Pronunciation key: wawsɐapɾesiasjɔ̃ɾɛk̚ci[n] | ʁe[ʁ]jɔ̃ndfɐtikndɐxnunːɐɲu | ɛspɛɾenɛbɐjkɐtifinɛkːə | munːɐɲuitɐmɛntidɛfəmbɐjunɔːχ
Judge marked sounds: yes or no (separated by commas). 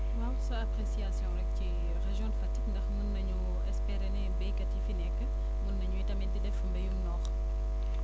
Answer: no, no